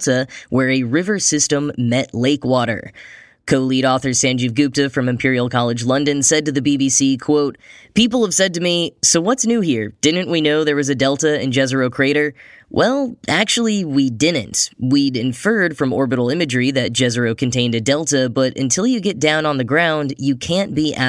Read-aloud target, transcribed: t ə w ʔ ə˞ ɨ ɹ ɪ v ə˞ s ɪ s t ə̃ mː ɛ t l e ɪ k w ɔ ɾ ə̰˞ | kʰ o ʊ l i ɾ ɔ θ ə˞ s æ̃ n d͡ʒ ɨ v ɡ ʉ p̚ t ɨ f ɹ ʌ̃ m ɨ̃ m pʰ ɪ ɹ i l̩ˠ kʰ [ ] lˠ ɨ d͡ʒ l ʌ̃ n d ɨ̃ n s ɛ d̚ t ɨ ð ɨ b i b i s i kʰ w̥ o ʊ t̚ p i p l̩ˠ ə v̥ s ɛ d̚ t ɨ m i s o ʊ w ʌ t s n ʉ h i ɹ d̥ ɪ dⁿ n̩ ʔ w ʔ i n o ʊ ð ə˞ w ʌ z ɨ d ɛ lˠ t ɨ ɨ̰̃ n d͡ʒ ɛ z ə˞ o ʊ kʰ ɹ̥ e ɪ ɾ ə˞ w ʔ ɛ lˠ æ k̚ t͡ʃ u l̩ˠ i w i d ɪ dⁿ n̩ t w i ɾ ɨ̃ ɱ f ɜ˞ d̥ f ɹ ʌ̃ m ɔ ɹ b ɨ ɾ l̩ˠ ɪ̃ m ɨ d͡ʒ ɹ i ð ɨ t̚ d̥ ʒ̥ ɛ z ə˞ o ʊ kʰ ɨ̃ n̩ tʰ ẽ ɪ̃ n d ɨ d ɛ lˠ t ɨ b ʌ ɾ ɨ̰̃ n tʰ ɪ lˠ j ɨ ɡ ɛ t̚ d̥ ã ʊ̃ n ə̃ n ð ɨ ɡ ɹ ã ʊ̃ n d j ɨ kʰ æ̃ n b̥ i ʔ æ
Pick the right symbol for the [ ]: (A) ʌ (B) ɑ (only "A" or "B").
B